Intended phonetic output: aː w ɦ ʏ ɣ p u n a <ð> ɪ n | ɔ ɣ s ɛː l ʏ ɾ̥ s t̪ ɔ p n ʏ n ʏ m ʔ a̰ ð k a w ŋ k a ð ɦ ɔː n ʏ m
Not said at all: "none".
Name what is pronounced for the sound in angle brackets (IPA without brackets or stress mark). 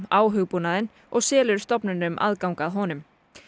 ð